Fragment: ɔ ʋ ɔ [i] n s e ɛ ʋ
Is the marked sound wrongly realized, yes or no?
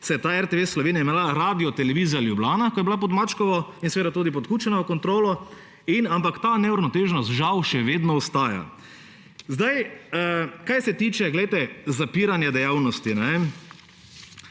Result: no